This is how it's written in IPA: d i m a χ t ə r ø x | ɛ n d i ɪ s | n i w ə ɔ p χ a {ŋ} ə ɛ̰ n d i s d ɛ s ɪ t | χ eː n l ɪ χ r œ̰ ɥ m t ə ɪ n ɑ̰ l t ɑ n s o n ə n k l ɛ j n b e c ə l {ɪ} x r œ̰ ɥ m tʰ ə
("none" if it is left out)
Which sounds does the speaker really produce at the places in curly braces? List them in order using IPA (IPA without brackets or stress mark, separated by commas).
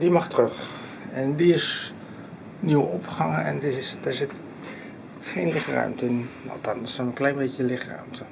ŋ, ɪ